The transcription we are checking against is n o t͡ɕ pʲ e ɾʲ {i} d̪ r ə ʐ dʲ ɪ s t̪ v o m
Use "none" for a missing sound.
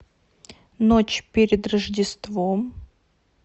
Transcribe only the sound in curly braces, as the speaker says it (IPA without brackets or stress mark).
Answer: ɪ